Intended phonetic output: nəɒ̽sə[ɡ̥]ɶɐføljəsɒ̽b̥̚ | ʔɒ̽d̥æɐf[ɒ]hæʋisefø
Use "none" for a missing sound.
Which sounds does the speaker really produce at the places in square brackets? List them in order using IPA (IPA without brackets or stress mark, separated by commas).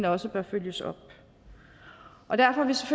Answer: b̥, ɒ